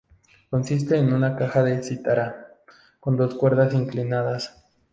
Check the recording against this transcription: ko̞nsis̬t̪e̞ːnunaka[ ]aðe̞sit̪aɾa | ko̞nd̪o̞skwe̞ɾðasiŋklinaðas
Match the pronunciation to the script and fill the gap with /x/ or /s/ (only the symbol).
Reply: x